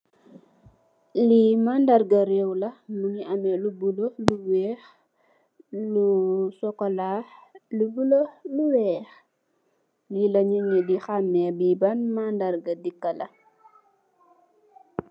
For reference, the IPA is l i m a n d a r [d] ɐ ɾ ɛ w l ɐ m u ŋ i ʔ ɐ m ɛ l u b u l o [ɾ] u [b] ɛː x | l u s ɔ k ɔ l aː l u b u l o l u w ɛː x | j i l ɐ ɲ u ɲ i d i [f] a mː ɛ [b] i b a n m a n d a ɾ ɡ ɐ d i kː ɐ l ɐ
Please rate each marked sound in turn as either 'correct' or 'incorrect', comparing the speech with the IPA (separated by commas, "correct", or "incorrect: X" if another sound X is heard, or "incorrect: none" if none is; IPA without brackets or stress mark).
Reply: incorrect: ɡ, incorrect: l, incorrect: w, incorrect: x, correct